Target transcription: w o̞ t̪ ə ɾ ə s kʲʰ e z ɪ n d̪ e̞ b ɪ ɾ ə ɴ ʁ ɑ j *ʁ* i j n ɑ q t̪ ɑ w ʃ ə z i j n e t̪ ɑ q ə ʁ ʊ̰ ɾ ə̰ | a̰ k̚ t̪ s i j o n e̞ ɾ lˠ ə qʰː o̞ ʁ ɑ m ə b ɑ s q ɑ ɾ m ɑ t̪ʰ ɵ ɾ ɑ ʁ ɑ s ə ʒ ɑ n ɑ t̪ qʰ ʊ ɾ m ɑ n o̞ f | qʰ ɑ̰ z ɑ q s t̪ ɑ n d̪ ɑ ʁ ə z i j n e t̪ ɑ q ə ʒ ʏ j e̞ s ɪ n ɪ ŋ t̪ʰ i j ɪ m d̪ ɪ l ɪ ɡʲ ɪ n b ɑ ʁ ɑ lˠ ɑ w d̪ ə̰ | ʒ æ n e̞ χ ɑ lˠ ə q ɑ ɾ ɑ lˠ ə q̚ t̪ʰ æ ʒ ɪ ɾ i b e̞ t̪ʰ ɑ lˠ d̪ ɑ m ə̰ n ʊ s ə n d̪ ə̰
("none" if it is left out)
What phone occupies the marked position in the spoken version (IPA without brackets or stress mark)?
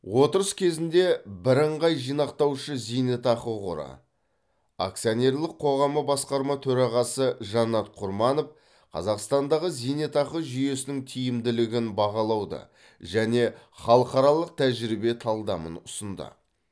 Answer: ʒ